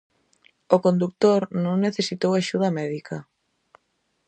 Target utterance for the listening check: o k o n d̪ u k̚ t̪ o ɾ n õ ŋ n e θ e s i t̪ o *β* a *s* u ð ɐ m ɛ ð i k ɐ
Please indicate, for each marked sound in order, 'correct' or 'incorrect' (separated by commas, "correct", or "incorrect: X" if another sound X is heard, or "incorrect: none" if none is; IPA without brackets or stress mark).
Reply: incorrect: w, incorrect: ʃ